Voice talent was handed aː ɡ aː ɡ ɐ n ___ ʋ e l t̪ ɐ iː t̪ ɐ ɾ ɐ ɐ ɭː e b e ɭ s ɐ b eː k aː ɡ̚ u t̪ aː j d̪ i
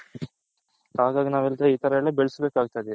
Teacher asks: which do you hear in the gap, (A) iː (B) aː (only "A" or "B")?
B